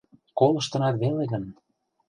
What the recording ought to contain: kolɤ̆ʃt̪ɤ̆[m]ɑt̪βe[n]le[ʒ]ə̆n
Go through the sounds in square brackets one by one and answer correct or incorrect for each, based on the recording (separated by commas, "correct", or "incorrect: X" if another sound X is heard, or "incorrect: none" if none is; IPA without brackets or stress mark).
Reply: incorrect: n, incorrect: none, incorrect: ɣ